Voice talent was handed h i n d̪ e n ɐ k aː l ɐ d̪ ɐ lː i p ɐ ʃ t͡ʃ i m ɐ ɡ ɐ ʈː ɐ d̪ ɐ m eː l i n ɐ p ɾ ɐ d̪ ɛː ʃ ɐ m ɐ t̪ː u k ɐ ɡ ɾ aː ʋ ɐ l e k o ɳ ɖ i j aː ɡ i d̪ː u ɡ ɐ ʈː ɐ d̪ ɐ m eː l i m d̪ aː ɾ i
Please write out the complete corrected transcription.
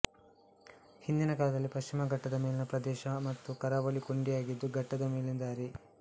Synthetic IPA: h i n d̪ i n ɐ k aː l ɐ d̪ ɐ lː i p ɐ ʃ t͡ʃ i m ɐ ɡ ɐ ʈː ɐ d̪ ɐ m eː l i n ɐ p ɾ ɐ d̪ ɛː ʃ ɐ m ɐ t̪ː u k ɐ ɾ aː ʋ ɐ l i k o ɳ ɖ i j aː ɡ i d̪ː u ɡ ɐ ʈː ɐ d̪ ɐ m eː l i n d̪ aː ɾ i

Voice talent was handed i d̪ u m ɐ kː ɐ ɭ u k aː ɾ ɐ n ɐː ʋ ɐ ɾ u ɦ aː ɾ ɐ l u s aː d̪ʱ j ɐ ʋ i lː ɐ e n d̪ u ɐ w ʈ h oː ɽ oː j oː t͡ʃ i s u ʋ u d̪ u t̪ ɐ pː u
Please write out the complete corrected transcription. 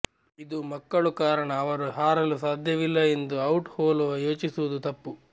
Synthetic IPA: i d̪ u m ɐ kː ɐ ɭ u k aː ɾ ɐ ɳ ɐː ʋ ɐ ɾ u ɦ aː ɾ ɐ l u s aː d̪ʱ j ɐ ʋ i lː ɐ e n d̪ u ɐ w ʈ h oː l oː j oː t͡ʃ i s u ʋ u d̪ u t̪ ɐ pː u

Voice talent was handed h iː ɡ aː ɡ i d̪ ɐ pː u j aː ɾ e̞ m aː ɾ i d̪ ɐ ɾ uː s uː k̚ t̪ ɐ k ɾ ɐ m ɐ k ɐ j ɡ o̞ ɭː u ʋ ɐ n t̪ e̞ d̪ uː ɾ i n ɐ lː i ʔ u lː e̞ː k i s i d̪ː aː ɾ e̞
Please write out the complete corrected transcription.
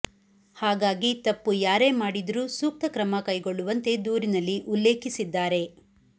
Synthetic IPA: h aː ɡ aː ɡ i t̪ ɐ pː u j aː ɾ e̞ m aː ɽ i d̪ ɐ ɾ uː s uː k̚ t̪ ɐ k ɾ ɐ m ɐ k ɐ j ɡ o̞ ɭː u ʋ ɐ n t̪ e̞ d̪ uː ɾ i n ɐ lː i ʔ u lː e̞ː k i s i d̪ː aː ɾ e̞

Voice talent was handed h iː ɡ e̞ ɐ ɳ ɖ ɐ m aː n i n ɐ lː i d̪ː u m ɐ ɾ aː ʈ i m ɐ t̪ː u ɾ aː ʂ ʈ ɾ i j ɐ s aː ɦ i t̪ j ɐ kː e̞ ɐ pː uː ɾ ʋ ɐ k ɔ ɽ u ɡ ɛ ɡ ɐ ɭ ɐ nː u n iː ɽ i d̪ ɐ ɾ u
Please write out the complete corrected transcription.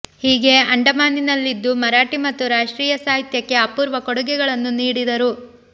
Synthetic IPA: h iː ɡ e̞ ɐ ɳ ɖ ɐ m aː n i n ɐ lː i d̪ː u m ɐ ɾ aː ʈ i m ɐ t̪ː u ɾ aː ʂ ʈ ɾ iː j ɐ s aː ɦ i t̪ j ɐ kː e̞ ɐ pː uː ɾ ʋ ɐ k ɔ ɽ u ɡ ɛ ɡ ɐ ɭ ɐ nː u n iː ɽ i d̪ ɐ ɾ u

